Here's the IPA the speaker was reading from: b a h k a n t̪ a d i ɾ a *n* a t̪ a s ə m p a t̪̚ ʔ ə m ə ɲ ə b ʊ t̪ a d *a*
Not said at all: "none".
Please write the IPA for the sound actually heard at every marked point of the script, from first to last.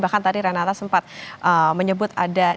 n, a

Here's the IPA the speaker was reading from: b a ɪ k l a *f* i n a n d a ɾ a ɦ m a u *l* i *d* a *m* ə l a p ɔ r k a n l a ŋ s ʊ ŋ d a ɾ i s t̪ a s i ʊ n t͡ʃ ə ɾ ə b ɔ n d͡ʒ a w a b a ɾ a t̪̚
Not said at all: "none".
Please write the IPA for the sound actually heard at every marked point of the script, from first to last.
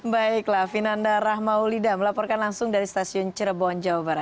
f, l, d, m

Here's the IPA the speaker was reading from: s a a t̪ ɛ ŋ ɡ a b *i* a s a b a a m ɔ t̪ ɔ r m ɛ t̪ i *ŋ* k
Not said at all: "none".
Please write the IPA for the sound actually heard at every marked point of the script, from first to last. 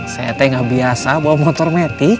i, none

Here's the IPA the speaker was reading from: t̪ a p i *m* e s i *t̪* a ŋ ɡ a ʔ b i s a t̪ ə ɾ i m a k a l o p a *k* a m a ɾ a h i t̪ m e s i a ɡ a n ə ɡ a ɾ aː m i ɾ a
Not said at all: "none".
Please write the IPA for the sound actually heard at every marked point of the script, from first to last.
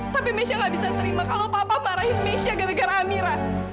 m, none, p

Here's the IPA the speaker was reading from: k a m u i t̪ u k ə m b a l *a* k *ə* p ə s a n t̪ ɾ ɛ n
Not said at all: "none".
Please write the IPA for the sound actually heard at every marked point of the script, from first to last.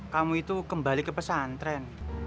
i, ə

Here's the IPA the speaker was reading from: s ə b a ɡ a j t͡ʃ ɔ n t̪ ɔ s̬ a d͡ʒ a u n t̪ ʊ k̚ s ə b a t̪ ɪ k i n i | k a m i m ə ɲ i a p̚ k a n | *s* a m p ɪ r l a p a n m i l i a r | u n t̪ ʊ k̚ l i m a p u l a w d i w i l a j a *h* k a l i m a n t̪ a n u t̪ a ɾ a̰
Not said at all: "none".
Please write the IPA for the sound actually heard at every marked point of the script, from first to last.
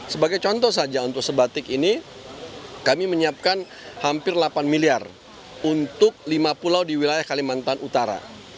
h, h

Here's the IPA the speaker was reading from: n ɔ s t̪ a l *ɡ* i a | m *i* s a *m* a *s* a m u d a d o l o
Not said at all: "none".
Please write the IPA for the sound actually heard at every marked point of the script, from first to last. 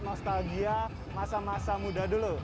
ɡ, a, m, s

